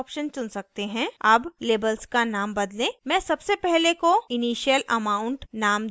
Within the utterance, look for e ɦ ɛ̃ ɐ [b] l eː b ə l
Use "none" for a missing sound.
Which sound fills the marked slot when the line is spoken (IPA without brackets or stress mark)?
b